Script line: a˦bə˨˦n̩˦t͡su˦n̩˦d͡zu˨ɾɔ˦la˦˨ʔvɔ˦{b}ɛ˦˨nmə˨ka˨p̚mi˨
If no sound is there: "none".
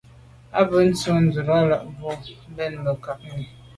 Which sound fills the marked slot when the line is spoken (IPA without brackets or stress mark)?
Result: b